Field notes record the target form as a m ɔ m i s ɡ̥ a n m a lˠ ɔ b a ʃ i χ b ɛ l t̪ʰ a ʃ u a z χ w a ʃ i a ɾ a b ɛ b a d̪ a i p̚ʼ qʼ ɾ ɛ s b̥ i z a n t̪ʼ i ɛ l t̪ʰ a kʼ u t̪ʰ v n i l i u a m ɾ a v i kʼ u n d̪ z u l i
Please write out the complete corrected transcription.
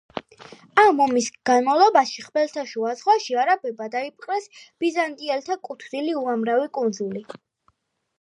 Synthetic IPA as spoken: a m ɔ m i s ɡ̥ a n m a lˠ ɔ b a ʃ i χ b ɛ l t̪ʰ a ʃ u a z ʁ w a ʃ i a ɾ a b ɛ b a d̪ a i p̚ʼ qʼ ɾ ɛ s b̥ i z a n t̪ʼ i ɛ l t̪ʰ a kʼ u t̪ʰ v n i l i u a m ɾ a v i kʼ u n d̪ z u l i